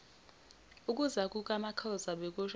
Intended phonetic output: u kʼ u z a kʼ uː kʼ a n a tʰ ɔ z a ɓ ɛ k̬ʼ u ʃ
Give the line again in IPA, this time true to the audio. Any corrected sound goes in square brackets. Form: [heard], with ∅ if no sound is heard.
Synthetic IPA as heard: u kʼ u z a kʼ [u] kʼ a [m] a [kʰ] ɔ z a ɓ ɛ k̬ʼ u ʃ